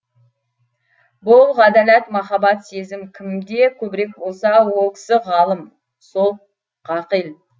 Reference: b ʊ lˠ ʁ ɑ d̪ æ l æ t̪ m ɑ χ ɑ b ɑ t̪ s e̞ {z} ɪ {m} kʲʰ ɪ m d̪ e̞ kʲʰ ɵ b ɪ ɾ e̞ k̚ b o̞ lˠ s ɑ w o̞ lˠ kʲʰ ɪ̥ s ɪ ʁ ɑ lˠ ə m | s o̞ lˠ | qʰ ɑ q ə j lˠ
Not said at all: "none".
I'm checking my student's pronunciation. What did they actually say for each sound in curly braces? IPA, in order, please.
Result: z, m

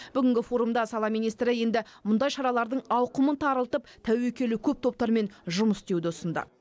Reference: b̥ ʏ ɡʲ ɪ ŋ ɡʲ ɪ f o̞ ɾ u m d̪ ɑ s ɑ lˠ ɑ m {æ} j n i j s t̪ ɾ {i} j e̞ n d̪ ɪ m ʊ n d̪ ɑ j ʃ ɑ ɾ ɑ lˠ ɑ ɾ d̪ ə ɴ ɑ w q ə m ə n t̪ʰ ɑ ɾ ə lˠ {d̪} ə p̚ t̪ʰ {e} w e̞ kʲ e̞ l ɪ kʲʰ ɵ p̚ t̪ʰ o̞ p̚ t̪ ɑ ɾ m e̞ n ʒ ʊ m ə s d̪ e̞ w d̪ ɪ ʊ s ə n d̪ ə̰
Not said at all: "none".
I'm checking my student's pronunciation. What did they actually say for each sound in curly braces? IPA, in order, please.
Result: i, ɪ, t̪, æ

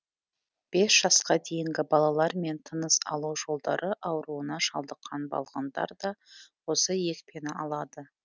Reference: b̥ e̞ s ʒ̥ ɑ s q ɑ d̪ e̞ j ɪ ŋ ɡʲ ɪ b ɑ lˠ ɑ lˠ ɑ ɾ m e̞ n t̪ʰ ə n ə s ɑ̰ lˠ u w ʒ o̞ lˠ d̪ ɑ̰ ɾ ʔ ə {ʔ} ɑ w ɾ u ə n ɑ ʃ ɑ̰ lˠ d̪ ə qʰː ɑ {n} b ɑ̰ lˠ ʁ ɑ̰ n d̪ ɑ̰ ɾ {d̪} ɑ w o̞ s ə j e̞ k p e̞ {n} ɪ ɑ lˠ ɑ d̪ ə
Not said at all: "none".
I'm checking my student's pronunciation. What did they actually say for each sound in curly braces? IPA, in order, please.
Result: ʔ, n, d̪, n

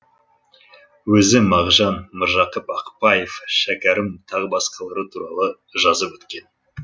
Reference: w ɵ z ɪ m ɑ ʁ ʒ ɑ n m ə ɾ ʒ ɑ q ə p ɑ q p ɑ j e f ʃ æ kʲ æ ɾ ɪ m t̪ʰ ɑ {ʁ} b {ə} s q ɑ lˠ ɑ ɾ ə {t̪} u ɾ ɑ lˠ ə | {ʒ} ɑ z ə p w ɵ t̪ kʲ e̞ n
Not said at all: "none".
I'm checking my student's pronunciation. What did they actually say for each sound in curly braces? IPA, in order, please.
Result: ʁ, ɑ, t̪ʰ, ʒ

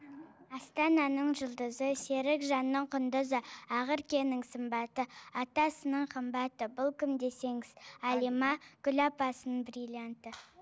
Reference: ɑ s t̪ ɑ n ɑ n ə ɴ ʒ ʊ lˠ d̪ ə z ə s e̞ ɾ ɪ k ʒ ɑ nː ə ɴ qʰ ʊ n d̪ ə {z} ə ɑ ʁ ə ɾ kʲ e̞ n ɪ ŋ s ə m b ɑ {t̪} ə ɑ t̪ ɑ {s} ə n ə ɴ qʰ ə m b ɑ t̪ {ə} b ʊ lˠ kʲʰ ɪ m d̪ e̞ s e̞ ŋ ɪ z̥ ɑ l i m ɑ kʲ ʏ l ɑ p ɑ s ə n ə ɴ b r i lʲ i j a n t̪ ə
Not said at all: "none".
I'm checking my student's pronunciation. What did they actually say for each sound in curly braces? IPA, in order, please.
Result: z, t̪, s, ə

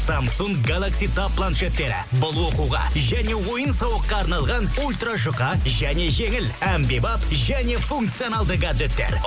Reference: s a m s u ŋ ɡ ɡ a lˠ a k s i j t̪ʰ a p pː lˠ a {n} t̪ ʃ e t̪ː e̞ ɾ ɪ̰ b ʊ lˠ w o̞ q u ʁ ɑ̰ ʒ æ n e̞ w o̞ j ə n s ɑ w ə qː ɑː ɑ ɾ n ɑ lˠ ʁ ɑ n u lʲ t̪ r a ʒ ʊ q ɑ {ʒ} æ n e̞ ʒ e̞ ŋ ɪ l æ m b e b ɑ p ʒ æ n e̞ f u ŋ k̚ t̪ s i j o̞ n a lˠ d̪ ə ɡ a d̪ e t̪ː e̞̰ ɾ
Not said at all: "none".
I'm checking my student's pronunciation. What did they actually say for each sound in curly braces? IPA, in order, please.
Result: n, ʒ

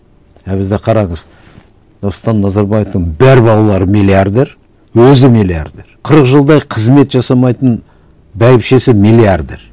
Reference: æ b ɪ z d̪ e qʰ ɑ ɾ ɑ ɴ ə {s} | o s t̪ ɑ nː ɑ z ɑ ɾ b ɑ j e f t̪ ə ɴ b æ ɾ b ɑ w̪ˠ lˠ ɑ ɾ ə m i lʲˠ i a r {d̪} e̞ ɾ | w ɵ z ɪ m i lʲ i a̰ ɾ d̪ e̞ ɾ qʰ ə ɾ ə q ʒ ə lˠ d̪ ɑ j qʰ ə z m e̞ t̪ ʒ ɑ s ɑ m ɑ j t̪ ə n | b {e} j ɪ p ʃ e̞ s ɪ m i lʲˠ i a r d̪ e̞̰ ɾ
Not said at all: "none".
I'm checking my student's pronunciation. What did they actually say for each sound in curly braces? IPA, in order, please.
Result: z, d̪, æ

